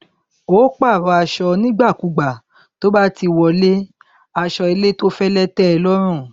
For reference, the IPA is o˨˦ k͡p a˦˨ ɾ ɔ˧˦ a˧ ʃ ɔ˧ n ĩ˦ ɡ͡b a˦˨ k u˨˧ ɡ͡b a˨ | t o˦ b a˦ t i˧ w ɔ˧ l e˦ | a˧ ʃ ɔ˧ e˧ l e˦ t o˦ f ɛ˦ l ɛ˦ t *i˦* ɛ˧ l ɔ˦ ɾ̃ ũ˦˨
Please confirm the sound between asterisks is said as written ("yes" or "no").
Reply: no